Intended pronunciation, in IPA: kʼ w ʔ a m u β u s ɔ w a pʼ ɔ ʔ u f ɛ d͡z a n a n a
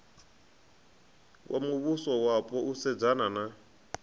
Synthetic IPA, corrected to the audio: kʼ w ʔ a m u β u s ɔ w a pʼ ɔ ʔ u s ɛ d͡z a n a n a